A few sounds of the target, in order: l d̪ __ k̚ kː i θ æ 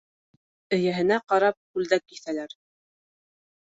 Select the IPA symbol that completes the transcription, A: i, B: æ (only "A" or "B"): B